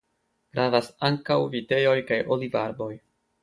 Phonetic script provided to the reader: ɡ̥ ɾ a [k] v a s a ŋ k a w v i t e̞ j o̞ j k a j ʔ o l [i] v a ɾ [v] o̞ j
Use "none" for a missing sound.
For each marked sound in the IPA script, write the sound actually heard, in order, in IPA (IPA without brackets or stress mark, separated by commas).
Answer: none, i, b